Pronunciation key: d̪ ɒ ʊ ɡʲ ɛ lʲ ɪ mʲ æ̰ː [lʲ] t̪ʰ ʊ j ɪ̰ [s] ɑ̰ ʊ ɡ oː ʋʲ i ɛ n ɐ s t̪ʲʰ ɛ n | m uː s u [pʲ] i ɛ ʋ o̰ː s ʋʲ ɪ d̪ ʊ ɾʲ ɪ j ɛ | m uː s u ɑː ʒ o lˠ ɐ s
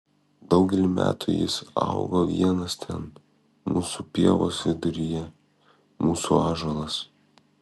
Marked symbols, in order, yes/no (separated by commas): no, yes, yes